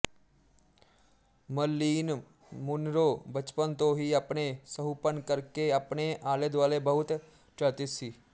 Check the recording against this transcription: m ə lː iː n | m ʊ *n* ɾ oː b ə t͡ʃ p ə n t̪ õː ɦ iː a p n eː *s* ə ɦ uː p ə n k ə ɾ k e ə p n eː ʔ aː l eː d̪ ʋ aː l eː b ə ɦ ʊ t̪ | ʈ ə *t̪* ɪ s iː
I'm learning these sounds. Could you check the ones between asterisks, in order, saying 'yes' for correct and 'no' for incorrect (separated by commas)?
yes, yes, yes